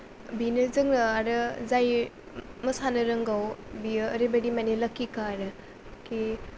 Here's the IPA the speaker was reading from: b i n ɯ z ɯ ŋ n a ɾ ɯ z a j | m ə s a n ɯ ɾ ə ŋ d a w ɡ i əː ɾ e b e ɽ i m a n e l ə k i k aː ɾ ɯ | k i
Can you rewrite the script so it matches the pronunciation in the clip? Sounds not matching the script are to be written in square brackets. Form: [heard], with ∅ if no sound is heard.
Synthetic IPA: b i n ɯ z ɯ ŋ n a ɾ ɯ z a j | m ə s a n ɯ ɾ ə ŋ [ɡ] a w [b] i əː ɾ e b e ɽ i m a n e l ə k i k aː ɾ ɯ | k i

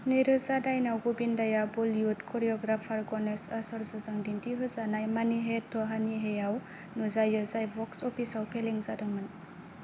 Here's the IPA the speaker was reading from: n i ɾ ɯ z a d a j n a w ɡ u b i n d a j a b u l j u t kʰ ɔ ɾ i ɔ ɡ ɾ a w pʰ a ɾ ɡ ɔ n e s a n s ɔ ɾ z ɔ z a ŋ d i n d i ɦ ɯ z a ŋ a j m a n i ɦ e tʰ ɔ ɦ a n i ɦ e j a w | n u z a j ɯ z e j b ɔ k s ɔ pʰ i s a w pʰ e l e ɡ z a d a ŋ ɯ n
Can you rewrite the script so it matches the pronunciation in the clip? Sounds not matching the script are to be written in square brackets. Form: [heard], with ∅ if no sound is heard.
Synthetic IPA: n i ɾ ɯ z a d a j n a w ɡ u b i n d a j a b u l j u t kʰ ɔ ɾ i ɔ ɡ ɾ a [∅] pʰ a ɾ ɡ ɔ n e s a [∅] s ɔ ɾ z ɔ z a ŋ d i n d i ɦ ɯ z a [n] a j m a n i ɦ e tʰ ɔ ɦ a n i ɦ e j a w | n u z a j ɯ z [a] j b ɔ k s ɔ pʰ i s a w pʰ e l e [ŋ] z a d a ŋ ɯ n

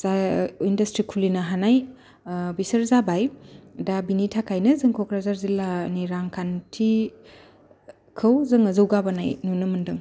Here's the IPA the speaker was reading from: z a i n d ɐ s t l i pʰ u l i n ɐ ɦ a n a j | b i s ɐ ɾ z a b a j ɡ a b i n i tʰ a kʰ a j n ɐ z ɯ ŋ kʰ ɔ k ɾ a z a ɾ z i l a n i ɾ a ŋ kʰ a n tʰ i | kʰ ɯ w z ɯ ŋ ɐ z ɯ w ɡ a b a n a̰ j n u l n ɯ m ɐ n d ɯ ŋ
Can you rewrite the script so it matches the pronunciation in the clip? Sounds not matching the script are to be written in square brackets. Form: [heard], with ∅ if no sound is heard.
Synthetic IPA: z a i n d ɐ s t [ɾ] i [kʰ] u l i n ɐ ɦ a n a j | b i s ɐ ɾ z a b a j [d] a b i n i tʰ a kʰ a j n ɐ z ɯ ŋ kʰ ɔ k ɾ a z a ɾ z i l a n i ɾ a ŋ kʰ a n tʰ i | kʰ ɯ w z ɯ ŋ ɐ z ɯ w ɡ a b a n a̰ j n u [∅] n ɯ m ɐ n d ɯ ŋ

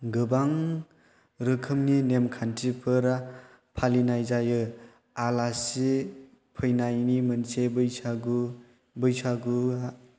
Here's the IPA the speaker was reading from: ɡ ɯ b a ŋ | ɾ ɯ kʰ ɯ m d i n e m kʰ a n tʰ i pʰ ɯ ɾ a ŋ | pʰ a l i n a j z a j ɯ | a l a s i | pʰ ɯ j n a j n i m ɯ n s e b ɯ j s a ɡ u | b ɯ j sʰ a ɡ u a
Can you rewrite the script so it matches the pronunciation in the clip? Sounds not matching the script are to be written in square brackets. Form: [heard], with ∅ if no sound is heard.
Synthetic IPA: ɡ ɯ b a ŋ | ɾ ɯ kʰ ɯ m [n] i n e m kʰ a n tʰ i pʰ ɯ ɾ a [∅] | pʰ a l i n a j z a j ɯ | a l a s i | pʰ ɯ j n a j n i m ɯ n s e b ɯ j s a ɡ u | b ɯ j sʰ a ɡ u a

